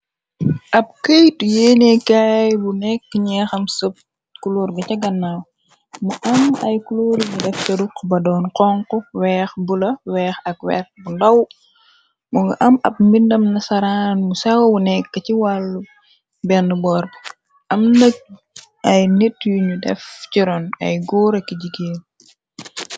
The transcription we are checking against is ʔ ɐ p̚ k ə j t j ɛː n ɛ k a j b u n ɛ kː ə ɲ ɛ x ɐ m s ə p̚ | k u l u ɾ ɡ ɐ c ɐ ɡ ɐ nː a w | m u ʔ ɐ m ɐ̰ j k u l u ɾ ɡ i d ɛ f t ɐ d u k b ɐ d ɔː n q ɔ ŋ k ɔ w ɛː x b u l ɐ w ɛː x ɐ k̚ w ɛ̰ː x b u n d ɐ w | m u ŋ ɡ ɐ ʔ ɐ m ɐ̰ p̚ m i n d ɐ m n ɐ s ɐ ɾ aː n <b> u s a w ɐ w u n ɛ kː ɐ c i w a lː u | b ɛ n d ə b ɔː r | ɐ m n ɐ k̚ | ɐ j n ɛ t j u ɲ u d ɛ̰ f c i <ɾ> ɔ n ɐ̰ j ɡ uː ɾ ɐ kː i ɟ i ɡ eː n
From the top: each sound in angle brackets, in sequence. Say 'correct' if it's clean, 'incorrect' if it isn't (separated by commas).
incorrect, correct